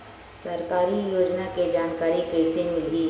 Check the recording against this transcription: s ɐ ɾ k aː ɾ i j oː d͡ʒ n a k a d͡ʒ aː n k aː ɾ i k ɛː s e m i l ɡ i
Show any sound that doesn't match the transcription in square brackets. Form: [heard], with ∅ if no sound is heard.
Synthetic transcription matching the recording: s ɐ ɾ k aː ɾ i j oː d͡ʒ n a k [e] d͡ʒ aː n k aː ɾ i k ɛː s e m [ɪ] l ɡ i